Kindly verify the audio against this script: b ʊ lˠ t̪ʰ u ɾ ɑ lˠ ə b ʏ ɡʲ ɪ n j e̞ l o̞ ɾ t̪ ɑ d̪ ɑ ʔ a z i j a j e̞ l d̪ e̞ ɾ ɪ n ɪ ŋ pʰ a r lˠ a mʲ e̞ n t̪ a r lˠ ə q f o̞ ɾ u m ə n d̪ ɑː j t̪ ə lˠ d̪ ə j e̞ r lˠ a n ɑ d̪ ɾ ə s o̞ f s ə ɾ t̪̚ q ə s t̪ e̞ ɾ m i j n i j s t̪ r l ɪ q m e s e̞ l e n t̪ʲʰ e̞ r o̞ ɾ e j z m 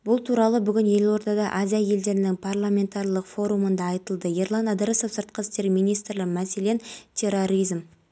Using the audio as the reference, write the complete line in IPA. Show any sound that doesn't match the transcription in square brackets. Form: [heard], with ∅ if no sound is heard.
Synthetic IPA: b ʊ lˠ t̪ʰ u ɾ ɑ lˠ ə b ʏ ɡʲ ɪ n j e̞ l o̞ ɾ t̪ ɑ d̪ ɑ ʔ a z i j a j e̞ l d̪ e̞ ɾ ɪ n ɪ ŋ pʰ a r lˠ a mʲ e̞ n t̪ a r lˠ ə q f o̞ ɾ u m ə n d̪ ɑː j t̪ ə lˠ d̪ ə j e̞ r lˠ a n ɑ d̪ ɾ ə s o̞ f s ə ɾ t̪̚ q ə s t̪ e̞ ɾ m i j n i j s t̪ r l ɪ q m [æ] s e̞ l e n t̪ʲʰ e̞ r o̞ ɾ [i] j z m

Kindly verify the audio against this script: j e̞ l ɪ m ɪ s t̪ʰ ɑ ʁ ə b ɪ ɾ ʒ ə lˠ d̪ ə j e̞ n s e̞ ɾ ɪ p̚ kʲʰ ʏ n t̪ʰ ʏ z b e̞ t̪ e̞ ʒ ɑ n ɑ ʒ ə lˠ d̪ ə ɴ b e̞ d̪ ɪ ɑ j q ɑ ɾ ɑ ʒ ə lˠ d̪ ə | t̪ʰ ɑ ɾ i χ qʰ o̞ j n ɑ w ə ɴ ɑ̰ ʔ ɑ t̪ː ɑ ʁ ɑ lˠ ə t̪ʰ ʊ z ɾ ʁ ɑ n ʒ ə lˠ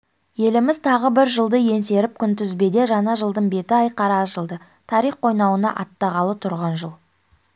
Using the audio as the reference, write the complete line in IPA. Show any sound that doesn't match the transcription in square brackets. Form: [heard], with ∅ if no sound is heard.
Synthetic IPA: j e̞ l ɪ m ɪ [z] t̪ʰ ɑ ʁ ə b ɪ ɾ ʒ ə lˠ d̪ ə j e̞ n s e̞ ɾ ɪ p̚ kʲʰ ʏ n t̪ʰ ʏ z b e̞ [d̪] e̞ ʒ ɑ n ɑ ʒ ə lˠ d̪ ə ɴ b e̞ [t̪] ɪ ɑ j q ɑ ɾ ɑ ʒ ə lˠ d̪ ə | t̪ʰ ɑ ɾ i χ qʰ o̞ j n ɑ w ə [n] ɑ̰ ʔ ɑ t̪ː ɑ ʁ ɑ lˠ ə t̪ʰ ʊ [∅] ɾ ʁ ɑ n ʒ ə lˠ

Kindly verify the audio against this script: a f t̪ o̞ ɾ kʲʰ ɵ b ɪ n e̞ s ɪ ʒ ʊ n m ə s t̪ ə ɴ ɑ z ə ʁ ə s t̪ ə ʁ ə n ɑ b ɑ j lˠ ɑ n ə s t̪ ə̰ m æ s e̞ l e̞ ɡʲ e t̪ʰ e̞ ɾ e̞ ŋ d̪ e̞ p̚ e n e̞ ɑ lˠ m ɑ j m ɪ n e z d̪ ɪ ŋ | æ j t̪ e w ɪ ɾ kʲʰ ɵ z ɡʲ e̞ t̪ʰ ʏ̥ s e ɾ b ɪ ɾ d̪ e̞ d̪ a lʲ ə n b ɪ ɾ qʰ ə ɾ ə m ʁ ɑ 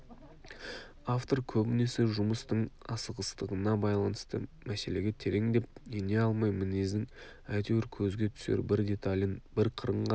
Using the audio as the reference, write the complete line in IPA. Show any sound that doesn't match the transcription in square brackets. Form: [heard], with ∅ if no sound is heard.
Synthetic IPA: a f t̪ o̞ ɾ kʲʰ ɵ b ɪ n e̞ s ɪ ʒ ʊ [∅] m ə s t̪ ə ɴ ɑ [s] ə ʁ ə s t̪ ə ʁ ə n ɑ b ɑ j lˠ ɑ n ə s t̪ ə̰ m æ s e̞ l e̞ ɡʲ e t̪ʰ e̞ ɾ e̞ ŋ d̪ e̞ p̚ e n e̞ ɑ lˠ m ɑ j m ɪ n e z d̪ ɪ ŋ | æ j t̪ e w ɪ ɾ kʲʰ ɵ z ɡʲ e̞ t̪ʰ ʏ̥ s e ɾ b ɪ ɾ d̪ e̞ [t̪] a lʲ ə n b ɪ ɾ qʰ ə ɾ ə [ɴ] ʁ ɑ

